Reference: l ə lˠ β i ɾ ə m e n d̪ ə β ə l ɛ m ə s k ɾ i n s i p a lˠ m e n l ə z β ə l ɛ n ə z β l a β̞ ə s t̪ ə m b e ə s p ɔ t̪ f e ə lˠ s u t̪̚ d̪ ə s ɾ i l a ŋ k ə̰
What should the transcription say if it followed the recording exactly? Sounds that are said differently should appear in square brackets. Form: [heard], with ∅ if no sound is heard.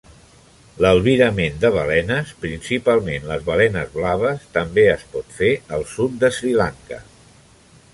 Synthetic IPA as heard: l ə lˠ β i ɾ ə m e n d̪ ə β ə l ɛ [n] ə s [p] ɾ i n s i p a lˠ m e n l ə z β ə l ɛ n ə z β l a β̞ ə s t̪ ə m b e ə s p ɔ t̪ f e ə lˠ s u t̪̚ d̪ ə s ɾ i l a ŋ k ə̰